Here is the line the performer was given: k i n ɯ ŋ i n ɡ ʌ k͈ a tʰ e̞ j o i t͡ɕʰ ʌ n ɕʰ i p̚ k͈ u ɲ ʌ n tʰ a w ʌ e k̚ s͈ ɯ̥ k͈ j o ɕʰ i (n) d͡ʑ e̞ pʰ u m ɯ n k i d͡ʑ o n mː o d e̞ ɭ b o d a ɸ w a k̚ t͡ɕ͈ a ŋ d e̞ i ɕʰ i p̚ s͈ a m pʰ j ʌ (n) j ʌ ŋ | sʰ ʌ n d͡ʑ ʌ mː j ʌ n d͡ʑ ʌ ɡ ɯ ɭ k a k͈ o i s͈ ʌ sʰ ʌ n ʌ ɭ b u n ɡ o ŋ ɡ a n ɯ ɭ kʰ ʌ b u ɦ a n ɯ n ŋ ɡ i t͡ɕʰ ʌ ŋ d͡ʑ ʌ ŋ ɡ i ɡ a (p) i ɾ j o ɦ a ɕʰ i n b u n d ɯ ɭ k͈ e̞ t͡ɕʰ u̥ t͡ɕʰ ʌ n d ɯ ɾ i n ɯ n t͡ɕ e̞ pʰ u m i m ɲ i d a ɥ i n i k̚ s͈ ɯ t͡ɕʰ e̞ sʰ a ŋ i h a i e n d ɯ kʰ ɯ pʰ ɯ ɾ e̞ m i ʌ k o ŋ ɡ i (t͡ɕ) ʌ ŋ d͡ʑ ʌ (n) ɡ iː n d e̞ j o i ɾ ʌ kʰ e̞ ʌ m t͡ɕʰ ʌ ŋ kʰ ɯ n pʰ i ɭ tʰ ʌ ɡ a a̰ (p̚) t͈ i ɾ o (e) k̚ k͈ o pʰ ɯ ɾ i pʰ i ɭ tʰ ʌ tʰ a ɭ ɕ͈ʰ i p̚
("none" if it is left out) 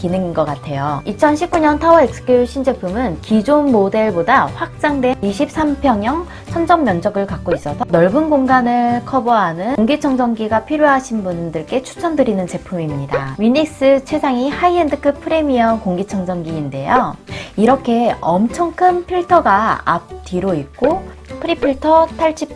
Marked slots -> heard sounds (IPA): n, ŋ, pʰ, t͡ɕʰ, ŋ, p̚, i

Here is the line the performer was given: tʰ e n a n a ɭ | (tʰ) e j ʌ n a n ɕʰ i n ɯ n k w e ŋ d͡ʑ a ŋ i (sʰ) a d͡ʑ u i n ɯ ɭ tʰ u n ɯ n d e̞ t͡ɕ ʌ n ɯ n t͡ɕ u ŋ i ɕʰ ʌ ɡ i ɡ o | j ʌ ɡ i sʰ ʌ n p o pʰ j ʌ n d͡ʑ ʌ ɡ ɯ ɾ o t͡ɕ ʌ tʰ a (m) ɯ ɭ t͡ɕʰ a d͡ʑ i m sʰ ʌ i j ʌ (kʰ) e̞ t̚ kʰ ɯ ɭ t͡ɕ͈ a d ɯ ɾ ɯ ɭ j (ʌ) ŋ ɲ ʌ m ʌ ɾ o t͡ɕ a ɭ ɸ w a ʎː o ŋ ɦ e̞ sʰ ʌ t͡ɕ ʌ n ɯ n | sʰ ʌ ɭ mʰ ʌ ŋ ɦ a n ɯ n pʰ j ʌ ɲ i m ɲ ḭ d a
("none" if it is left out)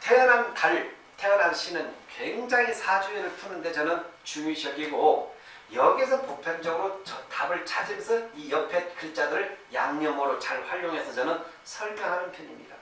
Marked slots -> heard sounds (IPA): tʰ, sʰ, b, pʰ, a

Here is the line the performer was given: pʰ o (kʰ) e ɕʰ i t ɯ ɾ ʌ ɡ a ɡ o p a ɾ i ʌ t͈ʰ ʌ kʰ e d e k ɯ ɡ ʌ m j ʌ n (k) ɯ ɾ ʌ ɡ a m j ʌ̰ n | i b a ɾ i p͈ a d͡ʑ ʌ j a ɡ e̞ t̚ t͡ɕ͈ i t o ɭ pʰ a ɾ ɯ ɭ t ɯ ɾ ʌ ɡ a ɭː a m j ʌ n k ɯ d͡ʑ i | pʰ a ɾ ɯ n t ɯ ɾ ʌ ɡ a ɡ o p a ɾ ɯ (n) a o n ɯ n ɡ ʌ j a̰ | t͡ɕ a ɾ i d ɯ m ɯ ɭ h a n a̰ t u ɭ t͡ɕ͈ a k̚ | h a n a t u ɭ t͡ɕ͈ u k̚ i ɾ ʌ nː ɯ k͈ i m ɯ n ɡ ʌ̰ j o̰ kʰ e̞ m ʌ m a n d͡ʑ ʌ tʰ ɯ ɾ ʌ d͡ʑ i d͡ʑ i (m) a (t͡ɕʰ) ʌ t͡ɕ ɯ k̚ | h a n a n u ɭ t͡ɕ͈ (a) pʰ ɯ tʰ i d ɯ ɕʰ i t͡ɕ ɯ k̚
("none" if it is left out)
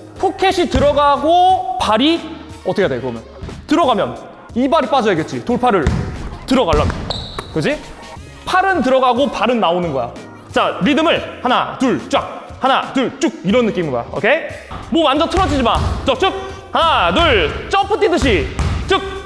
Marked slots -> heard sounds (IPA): kʰ, t, nː, m, t͡ɕ, ʌ

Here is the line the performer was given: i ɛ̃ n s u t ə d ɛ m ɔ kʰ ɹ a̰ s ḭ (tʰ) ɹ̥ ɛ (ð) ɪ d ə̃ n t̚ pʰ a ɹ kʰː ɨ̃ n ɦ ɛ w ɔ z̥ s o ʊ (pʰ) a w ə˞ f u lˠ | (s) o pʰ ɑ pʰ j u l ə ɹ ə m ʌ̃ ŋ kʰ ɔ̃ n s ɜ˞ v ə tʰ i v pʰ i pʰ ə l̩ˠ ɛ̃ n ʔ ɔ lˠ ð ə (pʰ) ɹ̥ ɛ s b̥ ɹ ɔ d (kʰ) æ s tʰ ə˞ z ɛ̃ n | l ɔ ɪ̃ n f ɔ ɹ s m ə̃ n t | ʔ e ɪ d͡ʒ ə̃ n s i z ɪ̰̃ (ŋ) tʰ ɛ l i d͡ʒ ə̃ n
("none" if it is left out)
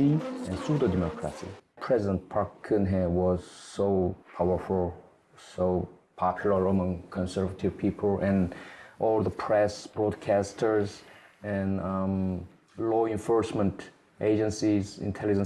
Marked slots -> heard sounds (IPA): pʰ, z, pʰ, s, pʰ, kʰ, n

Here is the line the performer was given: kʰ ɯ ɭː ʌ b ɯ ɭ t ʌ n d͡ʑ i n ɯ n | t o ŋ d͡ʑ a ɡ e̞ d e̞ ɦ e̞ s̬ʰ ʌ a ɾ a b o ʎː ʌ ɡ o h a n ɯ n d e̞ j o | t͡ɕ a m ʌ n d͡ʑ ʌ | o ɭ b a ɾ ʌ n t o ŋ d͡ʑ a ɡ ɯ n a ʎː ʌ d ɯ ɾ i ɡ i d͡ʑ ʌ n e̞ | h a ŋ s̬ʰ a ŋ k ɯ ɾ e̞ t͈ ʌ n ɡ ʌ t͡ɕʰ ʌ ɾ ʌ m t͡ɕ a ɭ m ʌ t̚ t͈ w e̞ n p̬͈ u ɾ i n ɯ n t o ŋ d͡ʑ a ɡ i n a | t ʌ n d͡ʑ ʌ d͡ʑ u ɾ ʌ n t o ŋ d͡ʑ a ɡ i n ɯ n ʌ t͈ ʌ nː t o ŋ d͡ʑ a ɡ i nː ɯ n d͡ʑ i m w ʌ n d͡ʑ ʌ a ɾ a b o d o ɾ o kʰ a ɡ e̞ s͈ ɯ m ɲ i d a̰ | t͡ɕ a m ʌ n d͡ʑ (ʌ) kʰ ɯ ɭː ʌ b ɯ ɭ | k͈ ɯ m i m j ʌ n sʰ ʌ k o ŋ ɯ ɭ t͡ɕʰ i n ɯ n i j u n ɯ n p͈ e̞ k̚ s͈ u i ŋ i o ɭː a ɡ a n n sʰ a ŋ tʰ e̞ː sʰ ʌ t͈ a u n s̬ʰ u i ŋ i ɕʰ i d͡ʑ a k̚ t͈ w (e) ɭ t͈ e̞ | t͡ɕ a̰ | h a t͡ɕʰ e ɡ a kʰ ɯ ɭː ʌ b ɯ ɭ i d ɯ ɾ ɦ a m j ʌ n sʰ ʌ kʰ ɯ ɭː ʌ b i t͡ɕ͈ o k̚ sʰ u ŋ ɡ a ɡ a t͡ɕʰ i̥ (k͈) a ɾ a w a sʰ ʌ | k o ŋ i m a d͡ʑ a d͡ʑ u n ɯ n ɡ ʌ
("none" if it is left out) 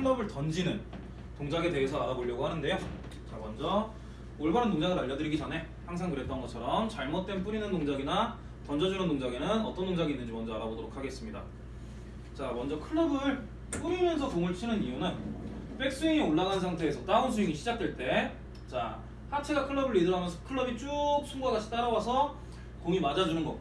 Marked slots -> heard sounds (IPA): ʌ, e, t͈

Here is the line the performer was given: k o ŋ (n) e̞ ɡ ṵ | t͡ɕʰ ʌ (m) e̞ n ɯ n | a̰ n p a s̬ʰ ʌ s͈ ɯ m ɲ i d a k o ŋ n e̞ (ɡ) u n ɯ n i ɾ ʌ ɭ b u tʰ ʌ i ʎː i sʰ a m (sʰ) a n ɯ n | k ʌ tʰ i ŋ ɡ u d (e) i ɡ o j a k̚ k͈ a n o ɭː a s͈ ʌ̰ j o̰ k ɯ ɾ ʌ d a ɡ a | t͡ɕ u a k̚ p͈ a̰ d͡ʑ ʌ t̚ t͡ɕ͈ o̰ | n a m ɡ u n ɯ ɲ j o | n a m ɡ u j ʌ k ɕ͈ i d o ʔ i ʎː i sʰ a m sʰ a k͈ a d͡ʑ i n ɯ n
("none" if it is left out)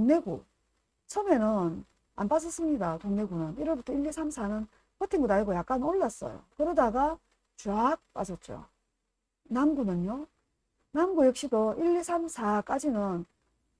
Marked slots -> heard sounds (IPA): n, m, ɡ, sʰ, a

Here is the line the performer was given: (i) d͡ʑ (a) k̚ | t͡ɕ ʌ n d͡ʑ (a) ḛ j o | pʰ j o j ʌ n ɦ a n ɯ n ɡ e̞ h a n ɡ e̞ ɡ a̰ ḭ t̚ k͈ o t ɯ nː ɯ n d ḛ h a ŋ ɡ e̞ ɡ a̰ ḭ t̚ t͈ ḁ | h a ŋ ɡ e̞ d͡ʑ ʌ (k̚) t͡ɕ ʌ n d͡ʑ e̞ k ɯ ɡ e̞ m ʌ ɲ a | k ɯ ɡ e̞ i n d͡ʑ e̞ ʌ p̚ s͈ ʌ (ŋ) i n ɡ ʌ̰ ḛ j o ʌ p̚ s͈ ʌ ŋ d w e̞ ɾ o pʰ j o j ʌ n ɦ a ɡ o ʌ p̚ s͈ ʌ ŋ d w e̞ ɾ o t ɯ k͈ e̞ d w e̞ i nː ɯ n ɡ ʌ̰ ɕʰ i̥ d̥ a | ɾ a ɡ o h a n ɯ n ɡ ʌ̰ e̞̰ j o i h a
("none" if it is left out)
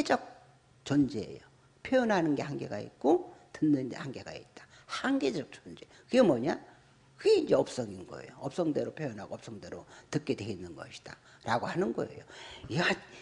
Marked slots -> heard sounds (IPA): e, ʌ, e, k̚, ŋ

